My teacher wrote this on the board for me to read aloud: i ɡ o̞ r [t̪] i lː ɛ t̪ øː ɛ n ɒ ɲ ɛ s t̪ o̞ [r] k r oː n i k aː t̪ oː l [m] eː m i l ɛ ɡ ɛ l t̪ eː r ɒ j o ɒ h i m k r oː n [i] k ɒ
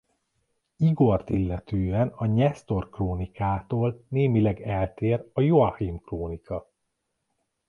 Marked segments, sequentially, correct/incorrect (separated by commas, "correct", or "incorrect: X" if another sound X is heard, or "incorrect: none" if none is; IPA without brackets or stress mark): correct, correct, incorrect: n, correct